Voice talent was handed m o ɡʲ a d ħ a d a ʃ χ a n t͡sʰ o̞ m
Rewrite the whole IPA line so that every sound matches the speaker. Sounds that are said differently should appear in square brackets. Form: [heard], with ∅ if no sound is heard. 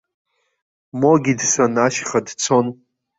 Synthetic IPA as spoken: m o ɡʲ [i] d [s] a [n] a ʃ χ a [d] t͡sʰ o̞ [n]